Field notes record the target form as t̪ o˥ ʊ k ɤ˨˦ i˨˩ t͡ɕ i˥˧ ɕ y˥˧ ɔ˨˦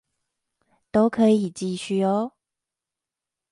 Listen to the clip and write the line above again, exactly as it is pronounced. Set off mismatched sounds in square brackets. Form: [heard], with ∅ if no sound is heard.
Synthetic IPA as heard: t̪ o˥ ʊ [kʰ] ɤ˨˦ i˨˩ t͡ɕ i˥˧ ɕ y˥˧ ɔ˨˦